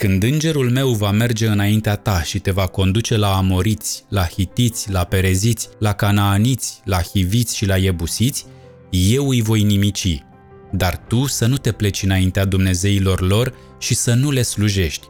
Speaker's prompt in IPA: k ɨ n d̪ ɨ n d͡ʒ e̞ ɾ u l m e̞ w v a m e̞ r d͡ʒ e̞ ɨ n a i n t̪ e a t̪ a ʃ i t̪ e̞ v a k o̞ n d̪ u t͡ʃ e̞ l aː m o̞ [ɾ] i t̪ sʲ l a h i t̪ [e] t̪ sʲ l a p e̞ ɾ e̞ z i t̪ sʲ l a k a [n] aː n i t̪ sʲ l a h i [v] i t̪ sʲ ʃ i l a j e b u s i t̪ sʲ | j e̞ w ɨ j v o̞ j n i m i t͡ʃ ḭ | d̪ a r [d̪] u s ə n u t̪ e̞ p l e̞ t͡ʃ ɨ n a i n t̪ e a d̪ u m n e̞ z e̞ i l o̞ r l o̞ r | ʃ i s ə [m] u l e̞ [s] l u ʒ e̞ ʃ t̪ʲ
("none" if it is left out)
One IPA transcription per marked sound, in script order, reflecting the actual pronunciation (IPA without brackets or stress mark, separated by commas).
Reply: ɾ, i, n, v, t̪, n, s